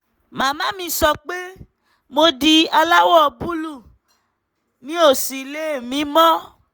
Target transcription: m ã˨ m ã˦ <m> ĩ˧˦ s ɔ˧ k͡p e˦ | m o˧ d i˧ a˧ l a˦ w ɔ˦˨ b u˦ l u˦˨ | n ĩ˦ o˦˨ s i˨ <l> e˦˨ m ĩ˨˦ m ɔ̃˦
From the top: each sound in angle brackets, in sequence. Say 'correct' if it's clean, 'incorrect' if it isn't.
correct, correct

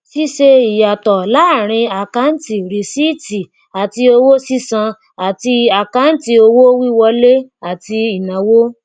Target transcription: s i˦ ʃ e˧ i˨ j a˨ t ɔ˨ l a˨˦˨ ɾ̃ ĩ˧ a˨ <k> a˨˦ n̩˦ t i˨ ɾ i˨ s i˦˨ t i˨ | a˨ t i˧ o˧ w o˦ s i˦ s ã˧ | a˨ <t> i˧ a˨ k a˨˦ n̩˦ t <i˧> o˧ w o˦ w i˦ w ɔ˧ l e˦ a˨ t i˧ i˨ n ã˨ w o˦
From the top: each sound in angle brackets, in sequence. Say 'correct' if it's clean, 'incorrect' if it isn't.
correct, correct, correct

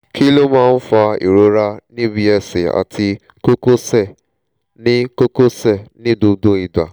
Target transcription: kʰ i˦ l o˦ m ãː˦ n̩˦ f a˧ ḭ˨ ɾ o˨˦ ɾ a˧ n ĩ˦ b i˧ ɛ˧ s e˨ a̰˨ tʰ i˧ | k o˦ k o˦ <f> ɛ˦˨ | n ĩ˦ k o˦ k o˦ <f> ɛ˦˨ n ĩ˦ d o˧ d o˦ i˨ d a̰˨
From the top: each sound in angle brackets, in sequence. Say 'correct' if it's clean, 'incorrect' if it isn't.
incorrect, incorrect

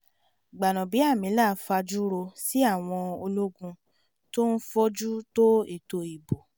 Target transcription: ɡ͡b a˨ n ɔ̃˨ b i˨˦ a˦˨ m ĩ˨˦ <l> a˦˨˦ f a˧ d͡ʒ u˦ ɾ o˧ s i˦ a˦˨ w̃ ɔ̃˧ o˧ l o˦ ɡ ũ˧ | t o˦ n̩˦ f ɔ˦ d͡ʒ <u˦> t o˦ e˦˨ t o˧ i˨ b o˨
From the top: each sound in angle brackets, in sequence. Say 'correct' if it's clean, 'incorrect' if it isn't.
correct, correct

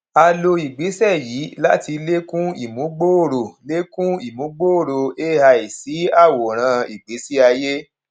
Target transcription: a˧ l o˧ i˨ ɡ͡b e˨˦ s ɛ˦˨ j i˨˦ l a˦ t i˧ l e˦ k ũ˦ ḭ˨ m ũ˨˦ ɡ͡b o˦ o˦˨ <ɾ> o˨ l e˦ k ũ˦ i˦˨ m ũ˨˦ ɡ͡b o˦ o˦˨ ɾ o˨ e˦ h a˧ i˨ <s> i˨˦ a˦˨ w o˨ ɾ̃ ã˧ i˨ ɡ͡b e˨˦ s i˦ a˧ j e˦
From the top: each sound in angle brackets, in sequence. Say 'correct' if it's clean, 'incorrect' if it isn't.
correct, correct

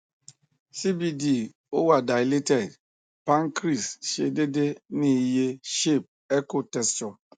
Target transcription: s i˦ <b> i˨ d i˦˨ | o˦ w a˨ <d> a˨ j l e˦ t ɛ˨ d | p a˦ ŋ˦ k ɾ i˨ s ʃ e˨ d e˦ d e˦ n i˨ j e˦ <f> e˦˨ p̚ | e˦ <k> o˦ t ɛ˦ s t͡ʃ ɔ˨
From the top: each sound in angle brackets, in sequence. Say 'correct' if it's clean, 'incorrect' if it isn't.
correct, correct, incorrect, correct

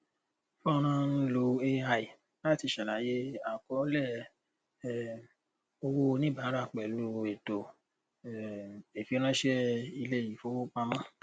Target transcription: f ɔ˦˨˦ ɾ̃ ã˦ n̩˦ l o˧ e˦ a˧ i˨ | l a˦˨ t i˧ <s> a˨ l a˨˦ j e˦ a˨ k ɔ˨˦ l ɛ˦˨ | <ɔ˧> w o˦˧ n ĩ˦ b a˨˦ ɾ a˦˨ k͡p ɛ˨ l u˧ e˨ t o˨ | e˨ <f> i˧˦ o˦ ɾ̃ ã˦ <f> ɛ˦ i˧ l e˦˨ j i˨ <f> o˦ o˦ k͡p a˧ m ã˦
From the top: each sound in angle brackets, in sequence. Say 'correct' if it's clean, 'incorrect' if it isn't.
incorrect, incorrect, correct, incorrect, correct

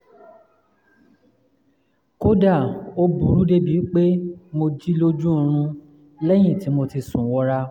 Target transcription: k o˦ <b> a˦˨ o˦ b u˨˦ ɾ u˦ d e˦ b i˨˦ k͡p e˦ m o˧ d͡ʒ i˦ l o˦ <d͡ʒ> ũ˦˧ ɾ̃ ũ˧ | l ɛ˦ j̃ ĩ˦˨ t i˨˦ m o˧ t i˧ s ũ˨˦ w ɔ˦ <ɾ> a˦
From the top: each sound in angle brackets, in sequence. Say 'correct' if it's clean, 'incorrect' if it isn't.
incorrect, correct, correct

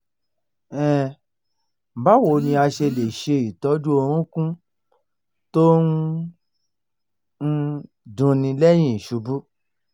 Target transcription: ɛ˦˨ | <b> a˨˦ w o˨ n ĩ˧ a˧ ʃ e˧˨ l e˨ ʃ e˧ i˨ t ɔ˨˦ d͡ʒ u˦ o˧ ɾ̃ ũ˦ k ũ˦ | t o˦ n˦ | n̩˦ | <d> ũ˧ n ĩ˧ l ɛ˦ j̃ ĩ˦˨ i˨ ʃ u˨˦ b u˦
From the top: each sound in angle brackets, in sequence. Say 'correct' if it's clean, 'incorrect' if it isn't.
correct, correct

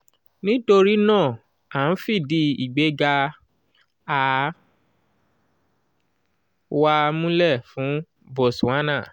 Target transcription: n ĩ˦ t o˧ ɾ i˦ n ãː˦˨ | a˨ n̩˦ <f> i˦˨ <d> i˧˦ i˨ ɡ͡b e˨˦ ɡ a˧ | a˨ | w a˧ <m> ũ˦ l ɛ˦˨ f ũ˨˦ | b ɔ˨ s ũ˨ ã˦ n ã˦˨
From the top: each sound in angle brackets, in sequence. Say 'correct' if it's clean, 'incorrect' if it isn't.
correct, correct, correct

